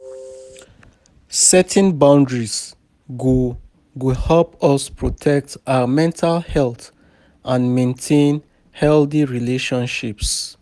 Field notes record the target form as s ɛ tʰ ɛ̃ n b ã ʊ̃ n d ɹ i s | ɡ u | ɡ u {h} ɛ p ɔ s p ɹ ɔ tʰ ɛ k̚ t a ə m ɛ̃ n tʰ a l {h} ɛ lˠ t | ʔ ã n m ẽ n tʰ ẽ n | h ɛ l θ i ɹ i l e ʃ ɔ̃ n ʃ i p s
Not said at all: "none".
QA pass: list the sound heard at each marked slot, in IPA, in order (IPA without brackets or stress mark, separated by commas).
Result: h, h